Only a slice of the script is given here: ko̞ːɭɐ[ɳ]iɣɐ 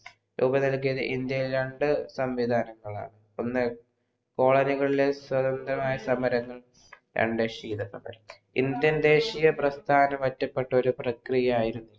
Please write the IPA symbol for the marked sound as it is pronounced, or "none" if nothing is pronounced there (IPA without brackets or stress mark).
n